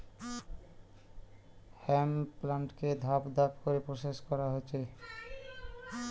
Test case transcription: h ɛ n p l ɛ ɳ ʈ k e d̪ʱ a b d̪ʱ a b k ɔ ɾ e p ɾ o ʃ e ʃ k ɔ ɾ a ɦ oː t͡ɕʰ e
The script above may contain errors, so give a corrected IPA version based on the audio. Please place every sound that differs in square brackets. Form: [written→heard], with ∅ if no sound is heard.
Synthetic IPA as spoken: h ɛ [n→m] p l [ɛ→a] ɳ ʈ k e d̪ʱ a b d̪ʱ a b k [ɔ→o] ɾ e p ɾ o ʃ e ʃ k ɔ ɾ a ɦ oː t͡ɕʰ e